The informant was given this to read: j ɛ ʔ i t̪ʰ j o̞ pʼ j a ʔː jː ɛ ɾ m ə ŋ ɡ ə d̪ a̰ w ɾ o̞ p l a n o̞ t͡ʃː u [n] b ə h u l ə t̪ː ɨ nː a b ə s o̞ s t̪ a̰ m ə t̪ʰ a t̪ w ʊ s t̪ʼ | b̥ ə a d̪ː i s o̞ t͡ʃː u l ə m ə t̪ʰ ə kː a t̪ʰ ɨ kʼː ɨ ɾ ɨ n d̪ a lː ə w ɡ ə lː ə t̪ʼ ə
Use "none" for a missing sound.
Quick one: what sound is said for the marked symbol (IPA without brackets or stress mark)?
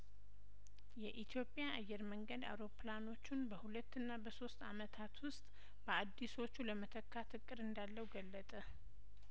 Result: n